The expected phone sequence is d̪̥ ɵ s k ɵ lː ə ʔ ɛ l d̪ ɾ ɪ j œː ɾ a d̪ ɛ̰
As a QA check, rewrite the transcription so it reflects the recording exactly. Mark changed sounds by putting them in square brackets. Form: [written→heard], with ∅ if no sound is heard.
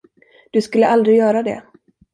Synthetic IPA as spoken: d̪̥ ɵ s k ɵ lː ə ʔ [ɛ→a] l d̪ ɾ ɪ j œː ɾ a d̪ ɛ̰